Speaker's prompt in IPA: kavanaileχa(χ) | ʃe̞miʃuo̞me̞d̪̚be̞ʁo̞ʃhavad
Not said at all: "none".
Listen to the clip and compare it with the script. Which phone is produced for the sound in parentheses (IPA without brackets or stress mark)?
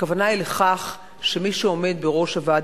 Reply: χ